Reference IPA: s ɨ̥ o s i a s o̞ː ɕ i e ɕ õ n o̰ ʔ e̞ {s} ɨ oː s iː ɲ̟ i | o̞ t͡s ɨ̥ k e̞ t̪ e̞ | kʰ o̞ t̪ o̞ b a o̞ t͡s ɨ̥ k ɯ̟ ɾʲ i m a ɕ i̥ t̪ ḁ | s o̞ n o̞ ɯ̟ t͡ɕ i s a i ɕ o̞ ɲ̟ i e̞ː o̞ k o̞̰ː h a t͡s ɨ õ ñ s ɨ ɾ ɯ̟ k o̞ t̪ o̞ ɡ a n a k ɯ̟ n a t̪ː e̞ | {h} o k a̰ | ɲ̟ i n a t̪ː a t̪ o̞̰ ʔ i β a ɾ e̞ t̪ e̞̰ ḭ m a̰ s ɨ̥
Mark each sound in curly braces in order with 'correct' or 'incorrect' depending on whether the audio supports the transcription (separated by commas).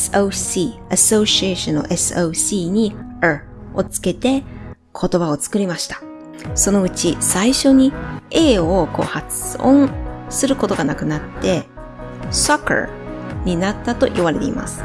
correct, incorrect